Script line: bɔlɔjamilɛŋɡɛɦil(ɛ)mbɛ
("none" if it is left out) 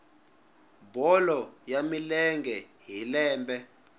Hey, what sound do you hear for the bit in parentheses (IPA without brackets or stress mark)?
ɛː